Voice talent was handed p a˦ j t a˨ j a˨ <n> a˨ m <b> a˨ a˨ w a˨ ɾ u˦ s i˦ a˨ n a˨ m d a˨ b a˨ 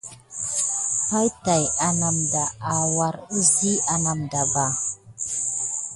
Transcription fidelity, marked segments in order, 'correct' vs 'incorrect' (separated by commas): correct, incorrect